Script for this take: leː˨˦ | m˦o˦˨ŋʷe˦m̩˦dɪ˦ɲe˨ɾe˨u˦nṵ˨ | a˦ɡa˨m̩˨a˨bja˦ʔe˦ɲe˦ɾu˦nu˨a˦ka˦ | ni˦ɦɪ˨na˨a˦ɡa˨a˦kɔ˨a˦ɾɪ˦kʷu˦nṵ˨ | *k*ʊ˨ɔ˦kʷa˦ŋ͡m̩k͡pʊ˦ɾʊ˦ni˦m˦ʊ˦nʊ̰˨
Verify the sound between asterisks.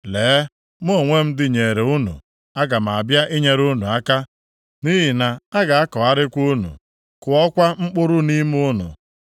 correct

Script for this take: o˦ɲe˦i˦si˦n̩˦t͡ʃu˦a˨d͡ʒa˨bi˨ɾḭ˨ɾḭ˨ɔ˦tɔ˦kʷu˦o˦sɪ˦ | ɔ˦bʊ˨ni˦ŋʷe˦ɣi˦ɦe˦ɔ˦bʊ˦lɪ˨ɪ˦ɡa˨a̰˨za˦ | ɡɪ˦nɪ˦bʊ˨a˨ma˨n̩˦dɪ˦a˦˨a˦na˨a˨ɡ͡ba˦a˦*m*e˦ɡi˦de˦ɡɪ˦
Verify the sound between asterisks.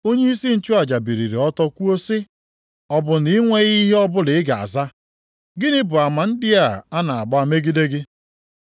correct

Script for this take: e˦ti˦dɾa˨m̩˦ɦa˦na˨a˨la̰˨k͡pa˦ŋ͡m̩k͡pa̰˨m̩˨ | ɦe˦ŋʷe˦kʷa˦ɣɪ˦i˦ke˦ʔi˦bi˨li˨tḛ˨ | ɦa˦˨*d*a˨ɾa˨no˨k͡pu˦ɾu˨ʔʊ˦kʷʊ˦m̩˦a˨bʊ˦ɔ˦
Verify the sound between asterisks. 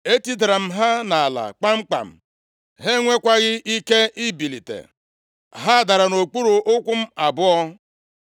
correct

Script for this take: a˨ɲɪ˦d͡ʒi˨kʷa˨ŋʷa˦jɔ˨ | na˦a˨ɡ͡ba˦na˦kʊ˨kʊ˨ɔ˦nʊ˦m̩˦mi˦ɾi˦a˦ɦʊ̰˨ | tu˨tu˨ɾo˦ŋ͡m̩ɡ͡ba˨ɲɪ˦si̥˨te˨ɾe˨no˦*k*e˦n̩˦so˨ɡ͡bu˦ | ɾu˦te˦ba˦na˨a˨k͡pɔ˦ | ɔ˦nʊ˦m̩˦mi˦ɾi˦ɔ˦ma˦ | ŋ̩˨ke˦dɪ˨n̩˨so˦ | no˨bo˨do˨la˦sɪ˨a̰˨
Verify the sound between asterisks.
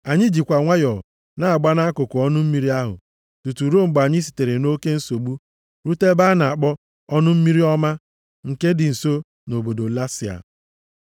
correct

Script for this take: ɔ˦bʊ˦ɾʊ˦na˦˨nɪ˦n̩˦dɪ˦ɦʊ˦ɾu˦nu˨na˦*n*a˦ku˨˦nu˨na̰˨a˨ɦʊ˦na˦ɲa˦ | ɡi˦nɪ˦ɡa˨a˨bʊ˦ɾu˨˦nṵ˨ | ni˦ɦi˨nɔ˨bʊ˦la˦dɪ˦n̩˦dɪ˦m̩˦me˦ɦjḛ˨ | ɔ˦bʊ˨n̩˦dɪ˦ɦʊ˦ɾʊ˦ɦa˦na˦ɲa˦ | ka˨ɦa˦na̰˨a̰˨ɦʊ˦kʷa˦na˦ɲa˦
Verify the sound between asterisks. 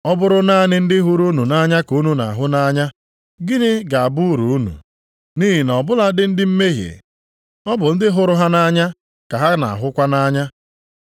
incorrect: ɲ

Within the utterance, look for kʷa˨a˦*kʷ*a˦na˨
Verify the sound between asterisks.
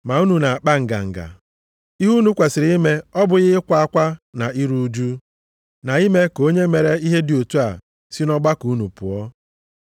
correct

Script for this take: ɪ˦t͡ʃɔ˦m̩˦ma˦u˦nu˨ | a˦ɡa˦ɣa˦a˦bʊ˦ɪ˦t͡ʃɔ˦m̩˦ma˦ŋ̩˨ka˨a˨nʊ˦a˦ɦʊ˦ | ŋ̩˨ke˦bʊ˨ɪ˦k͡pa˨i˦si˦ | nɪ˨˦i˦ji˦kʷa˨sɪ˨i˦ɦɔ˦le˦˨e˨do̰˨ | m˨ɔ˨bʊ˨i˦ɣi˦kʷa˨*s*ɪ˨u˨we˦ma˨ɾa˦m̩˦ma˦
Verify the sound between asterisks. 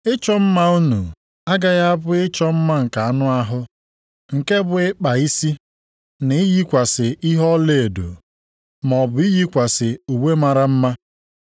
correct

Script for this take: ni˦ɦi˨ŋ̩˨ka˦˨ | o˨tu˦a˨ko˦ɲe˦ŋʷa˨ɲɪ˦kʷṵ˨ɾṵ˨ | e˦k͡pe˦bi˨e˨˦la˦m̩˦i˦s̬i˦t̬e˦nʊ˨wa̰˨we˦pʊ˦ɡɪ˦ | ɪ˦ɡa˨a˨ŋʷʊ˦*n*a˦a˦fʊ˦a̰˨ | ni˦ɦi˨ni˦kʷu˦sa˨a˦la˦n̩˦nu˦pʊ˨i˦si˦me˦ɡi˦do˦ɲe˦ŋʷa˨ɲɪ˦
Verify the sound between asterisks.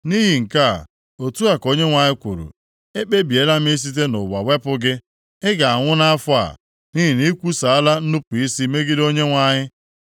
correct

